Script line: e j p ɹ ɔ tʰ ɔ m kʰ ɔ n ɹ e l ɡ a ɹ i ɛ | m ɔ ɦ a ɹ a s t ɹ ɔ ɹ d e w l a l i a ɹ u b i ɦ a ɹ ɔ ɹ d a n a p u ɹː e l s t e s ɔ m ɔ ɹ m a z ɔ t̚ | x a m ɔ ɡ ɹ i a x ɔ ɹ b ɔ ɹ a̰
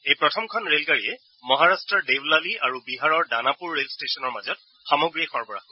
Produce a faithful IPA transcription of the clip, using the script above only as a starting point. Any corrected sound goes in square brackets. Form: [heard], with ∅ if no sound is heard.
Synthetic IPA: e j p ɹ ɔ tʰ ɔ m kʰ ɔ n ɹ e l ɡ a ɹ i ɛ | m ɔ ɦ a ɹ a s t ɹ ɔ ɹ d e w l a l i a ɹ u b i ɦ a ɹ ɔ ɹ d a n a p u ɹː e l s t e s ɔ [n] ɔ ɹ m a z ɔ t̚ | x a m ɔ ɡ ɹ i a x ɔ ɹ b ɔ ɹ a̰